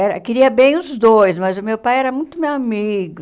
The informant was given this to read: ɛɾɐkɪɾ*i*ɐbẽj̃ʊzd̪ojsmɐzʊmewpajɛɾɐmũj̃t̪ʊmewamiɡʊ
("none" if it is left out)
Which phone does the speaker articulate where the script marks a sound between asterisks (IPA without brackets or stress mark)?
i